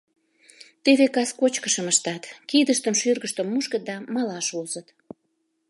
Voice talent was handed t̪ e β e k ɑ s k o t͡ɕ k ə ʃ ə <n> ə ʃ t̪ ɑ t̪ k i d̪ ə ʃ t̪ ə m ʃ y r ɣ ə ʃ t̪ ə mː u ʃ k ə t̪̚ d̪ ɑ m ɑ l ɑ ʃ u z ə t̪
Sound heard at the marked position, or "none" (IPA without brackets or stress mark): m